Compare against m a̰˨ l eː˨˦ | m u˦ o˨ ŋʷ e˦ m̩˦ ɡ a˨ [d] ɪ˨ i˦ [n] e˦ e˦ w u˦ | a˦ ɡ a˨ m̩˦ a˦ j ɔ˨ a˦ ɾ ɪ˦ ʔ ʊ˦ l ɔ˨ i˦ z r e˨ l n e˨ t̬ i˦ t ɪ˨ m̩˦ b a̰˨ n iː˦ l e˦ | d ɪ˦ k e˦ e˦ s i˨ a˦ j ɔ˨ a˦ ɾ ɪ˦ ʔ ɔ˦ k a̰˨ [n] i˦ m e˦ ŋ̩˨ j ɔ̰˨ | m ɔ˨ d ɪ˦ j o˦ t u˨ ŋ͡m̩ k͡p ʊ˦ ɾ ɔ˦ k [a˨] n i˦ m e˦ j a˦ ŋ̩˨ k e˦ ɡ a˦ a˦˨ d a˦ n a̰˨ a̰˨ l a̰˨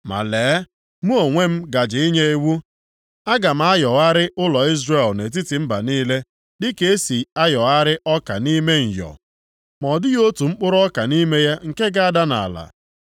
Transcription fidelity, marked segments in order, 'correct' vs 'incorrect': incorrect, incorrect, correct, correct

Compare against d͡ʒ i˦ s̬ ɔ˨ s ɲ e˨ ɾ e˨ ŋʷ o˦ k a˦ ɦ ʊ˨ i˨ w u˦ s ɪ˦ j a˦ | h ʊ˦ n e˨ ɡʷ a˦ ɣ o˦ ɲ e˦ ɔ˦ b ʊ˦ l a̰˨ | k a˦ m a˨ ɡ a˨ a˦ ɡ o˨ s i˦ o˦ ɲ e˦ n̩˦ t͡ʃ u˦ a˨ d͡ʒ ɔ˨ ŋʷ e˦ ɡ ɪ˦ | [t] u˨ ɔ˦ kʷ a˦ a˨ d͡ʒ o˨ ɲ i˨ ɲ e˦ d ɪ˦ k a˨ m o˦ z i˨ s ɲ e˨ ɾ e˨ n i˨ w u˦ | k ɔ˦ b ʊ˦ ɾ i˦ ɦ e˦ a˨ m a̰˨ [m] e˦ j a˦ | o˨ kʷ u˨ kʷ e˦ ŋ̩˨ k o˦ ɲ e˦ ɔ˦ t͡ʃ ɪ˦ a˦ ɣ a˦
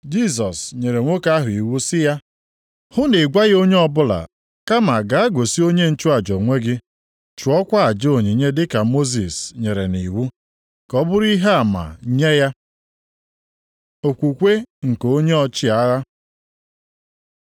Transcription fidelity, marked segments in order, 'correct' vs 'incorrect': incorrect, incorrect

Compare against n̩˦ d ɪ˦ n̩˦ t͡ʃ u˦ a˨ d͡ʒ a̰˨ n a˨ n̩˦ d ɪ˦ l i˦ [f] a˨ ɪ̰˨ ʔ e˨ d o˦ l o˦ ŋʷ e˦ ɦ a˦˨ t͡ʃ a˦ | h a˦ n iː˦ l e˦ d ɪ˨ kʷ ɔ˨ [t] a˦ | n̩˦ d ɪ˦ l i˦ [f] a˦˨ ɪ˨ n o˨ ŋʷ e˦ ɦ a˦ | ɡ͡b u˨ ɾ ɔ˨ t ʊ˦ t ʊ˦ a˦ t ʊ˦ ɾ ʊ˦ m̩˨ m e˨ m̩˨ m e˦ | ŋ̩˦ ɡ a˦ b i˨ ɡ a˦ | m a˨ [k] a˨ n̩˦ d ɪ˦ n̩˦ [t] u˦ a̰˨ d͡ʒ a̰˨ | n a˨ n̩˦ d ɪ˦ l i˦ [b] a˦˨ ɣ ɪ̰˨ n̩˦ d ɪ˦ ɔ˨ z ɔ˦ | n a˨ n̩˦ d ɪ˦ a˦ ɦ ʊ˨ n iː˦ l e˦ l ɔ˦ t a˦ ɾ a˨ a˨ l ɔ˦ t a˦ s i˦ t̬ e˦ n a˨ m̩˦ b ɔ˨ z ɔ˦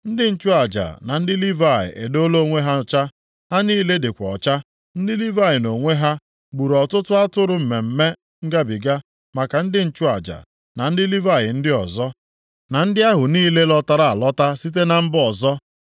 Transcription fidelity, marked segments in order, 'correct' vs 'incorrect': incorrect, incorrect, incorrect, correct, incorrect, incorrect

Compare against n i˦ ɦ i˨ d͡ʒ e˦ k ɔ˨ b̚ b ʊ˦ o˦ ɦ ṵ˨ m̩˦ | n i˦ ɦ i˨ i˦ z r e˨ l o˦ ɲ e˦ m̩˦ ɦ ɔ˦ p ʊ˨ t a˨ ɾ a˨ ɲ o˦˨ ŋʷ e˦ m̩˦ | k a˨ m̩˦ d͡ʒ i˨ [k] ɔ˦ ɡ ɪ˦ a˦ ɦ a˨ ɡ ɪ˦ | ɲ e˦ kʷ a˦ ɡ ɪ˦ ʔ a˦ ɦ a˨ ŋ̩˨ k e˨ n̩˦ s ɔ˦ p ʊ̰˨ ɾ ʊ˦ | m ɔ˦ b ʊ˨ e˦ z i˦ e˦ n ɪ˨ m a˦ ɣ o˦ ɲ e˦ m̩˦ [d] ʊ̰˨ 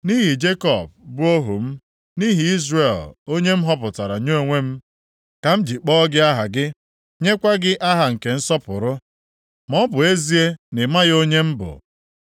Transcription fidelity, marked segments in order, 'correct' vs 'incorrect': incorrect, incorrect

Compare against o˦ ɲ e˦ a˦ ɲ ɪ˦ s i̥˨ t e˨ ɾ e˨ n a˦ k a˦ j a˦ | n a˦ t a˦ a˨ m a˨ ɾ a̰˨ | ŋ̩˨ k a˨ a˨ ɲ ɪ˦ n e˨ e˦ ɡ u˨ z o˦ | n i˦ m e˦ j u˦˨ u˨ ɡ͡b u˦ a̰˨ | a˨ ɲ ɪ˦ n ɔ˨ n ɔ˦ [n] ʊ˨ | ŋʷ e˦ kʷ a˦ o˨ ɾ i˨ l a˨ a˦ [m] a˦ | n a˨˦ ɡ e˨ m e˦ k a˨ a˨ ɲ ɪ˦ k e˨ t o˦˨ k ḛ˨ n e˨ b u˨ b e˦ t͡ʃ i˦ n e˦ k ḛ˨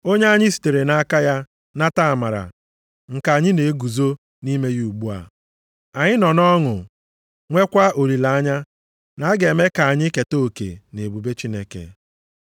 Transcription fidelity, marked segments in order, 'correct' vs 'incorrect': incorrect, incorrect

